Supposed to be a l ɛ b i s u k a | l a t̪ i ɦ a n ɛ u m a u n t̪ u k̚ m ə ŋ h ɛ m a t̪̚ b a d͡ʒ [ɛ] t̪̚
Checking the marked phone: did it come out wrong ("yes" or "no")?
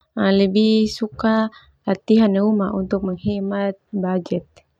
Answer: no